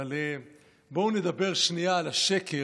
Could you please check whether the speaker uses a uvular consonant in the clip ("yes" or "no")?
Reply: yes